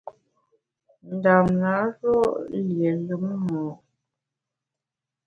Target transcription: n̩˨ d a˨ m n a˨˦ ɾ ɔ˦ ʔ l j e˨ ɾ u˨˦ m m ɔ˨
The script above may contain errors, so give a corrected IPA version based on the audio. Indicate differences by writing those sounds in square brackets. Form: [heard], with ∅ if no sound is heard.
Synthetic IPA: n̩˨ d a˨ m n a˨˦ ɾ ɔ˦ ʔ l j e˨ [l] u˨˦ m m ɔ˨